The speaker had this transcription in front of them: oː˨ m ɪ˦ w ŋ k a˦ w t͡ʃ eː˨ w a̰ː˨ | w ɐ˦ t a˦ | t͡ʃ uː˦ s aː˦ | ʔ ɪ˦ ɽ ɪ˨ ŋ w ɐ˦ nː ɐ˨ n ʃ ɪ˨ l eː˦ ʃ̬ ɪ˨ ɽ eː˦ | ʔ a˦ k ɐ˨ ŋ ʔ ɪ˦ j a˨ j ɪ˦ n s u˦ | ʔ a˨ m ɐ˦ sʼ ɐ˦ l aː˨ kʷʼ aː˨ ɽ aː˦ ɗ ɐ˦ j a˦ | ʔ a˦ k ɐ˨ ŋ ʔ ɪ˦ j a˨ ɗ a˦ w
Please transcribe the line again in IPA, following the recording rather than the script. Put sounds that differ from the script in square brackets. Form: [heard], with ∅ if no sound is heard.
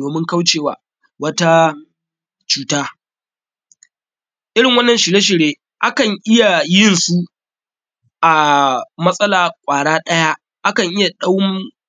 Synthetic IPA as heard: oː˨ m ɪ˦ [∅] ŋ k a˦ w t͡ʃ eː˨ w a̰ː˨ | w ɐ˦ t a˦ | t͡ʃ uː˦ [t] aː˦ | ʔ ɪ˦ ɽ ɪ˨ ŋ w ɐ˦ nː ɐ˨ n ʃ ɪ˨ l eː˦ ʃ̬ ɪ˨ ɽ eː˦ | ʔ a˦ k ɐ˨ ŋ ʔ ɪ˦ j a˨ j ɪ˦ n s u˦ | ʔ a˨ m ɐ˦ sʼ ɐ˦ l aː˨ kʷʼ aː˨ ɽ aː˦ ɗ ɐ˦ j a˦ | ʔ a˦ k ɐ˨ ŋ ʔ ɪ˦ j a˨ ɗ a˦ w

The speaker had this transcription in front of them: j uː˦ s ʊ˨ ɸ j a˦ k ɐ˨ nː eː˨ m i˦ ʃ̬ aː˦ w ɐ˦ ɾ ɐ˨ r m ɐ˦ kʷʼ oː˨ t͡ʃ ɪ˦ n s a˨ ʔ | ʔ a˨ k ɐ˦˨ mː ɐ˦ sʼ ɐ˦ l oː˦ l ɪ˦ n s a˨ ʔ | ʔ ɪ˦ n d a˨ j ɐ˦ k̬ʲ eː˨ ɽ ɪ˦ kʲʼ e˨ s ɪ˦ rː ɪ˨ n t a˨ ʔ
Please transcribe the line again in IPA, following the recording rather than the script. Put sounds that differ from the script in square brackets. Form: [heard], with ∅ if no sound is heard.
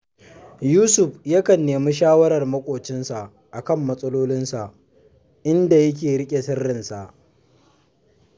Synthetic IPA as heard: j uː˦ s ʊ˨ ɸ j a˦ k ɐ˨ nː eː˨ m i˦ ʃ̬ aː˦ w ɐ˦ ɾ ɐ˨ r m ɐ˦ kʷʼ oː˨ t͡ʃ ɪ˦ n s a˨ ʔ | ʔ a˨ k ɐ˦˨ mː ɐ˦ sʼ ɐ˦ l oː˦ l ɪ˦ n s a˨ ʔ | ʔ ɪ˦ n d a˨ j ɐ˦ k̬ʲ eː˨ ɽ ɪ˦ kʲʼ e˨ s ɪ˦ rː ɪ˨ n [s] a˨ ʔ

